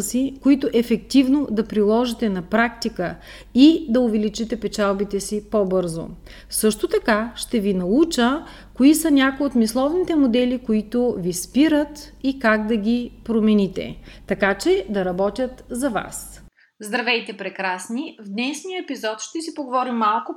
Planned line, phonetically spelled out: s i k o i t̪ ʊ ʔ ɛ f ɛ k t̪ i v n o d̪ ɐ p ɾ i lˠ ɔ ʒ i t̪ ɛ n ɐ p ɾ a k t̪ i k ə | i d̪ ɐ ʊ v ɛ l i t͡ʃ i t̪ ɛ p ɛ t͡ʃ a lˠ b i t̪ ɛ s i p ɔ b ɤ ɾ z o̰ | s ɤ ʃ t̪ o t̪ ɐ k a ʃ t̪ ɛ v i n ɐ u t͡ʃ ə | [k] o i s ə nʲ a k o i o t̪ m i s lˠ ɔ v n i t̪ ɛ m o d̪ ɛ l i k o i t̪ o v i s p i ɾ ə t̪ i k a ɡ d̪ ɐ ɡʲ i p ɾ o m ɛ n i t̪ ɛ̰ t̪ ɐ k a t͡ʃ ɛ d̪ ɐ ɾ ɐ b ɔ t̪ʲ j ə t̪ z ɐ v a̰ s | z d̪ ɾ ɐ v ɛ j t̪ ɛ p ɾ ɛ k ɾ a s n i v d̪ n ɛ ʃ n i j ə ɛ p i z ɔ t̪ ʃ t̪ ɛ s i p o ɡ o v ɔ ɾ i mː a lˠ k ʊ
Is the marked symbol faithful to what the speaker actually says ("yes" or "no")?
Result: yes